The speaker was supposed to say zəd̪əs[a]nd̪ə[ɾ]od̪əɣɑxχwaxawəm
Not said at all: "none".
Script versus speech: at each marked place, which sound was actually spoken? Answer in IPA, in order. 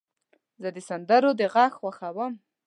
a, ɾ

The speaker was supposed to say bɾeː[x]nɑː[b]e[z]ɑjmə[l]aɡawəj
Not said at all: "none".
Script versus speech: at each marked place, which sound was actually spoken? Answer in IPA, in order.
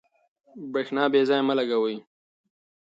x, b, z, l

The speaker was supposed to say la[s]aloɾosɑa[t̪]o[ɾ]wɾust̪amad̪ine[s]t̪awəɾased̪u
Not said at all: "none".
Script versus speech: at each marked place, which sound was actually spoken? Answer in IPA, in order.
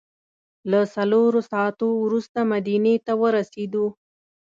s, t̪, none, none

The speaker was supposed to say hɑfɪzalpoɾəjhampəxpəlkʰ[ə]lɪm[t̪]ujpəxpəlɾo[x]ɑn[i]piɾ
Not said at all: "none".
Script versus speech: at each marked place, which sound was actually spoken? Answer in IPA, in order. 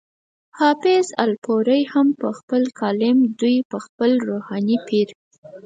ɑ, d̪, h, i

